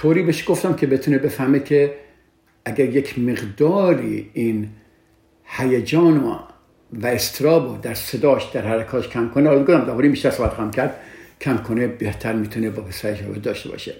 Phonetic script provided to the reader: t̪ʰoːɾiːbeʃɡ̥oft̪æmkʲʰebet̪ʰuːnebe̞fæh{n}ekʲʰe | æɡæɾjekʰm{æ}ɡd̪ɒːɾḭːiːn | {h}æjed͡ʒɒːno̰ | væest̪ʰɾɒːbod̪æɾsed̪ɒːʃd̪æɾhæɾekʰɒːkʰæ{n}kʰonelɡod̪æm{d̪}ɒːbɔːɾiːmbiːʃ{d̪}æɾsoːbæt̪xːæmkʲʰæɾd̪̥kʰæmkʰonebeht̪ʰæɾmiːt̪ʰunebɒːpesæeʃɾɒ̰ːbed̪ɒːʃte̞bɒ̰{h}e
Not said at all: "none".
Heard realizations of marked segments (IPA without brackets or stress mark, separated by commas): m, e, h, m, d̪, t̪, ʃ